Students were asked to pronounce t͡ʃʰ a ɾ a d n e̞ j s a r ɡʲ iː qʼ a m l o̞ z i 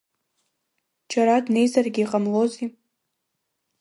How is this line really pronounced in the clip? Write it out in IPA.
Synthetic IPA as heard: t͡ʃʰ a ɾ a d n e̞ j z a r ɡʲ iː qʼ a m l o̞ z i